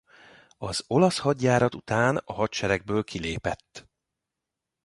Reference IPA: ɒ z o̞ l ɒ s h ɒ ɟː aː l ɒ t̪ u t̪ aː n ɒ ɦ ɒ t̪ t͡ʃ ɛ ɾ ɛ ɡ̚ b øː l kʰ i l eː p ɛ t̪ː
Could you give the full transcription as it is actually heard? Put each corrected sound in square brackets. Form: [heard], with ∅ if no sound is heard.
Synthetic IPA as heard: ɒ z o̞ l ɒ s h ɒ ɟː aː [ɾ] ɒ t̪ u t̪ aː n ɒ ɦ ɒ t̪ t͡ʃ ɛ ɾ ɛ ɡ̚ b øː l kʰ i l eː p ɛ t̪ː

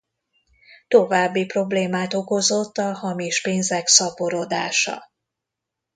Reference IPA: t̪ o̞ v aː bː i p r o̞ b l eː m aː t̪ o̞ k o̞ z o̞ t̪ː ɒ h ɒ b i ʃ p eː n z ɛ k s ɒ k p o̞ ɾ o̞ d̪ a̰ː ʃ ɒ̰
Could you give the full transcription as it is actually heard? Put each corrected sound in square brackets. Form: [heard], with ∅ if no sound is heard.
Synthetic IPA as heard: t̪ o̞ v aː bː i p r o̞ b l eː m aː t̪ o̞ k o̞ z o̞ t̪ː ɒ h ɒ [m] i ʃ p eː n z ɛ k s ɒ [∅] p o̞ ɾ o̞ d̪ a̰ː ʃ ɒ̰

